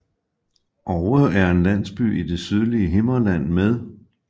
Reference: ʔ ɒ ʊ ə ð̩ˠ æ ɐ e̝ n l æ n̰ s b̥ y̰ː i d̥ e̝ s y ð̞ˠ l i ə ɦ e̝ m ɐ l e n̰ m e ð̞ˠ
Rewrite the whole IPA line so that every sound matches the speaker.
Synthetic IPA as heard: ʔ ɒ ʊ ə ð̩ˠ æ ɐ e̝ n l æ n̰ s b̥ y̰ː i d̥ e̝ s y ð̞ˠ l i ə ɦ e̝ m ɐ l æ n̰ m e ð̞ˠ